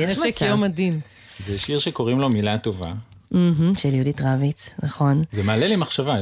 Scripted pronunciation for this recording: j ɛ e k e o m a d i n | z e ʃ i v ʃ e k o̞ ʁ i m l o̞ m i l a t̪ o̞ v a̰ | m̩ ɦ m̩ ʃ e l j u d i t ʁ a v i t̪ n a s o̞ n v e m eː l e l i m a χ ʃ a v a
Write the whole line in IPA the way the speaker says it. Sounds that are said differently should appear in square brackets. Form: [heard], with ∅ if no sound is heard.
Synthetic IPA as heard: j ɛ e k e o m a d i n | z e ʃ i [ʁ] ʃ e k o̞ ʁ i m l o̞ m i l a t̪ o̞ v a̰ | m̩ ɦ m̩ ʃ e l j u d i t ʁ a v i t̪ n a [χ] o̞ n [z] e m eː l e l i m a χ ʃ a v a